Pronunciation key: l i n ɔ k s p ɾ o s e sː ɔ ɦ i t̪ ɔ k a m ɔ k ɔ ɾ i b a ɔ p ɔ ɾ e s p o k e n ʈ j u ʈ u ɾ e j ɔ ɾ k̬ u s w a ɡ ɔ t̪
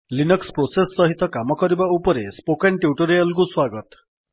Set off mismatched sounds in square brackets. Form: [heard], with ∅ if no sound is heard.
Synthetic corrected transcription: l i n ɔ k s p ɾ o s e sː ɔ ɦ i t̪ ɔ k a m ɔ k ɔ ɾ i b a [u] p ɔ ɾ e s p o k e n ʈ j u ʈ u ɾ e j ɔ [l] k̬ u s w a ɡ ɔ t̪